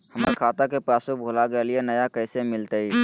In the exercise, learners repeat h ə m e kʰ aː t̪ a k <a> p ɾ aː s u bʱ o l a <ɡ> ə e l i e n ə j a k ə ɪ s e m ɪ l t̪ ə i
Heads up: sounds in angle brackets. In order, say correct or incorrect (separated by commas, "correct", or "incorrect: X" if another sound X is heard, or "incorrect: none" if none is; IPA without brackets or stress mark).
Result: incorrect: e, correct